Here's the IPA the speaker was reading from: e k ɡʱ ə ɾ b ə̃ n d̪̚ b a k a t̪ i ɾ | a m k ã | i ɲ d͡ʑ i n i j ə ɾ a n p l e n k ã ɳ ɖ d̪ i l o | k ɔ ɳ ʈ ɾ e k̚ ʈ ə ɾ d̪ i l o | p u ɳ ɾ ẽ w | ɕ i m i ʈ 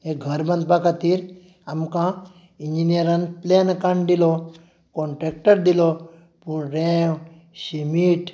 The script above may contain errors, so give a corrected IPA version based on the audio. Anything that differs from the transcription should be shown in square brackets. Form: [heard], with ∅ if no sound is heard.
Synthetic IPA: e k ɡʱ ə ɾ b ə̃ n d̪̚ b a k a t̪ i ɾ | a m k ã | i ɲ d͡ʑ i n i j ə ɾ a n p l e n k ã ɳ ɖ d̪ i l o | k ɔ ɳ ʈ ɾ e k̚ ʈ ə ɾ d̪ i l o | p u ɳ ɾ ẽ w | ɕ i m i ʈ